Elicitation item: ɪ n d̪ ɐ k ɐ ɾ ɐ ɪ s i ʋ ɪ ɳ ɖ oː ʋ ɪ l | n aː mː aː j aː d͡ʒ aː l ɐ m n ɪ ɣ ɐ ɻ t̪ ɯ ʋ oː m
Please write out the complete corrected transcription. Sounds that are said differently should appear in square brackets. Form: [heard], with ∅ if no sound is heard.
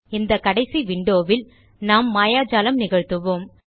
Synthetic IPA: ɪ n d̪ ɐ k ɐ [ɽ] ɐ ɪ s i ʋ ɪ ɳ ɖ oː ʋ ɪ l | n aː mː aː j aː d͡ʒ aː l ɐ m n ɪ ɣ ɐ ɻ t̪ ɯ ʋ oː m